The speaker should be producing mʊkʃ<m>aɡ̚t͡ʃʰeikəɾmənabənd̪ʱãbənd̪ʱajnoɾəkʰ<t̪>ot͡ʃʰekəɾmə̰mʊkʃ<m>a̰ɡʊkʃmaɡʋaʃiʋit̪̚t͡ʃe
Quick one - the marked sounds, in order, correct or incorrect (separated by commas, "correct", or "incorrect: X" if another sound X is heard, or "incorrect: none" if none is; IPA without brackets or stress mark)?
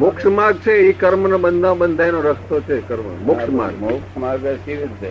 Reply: correct, correct, correct